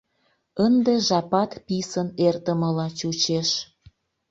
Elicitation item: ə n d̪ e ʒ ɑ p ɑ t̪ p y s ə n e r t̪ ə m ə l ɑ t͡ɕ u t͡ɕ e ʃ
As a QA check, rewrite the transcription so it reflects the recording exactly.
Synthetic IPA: ə n d̪ e ʒ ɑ p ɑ t̪ p i s ə n e r t̪ ə m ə l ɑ t͡ɕ u t͡ɕ e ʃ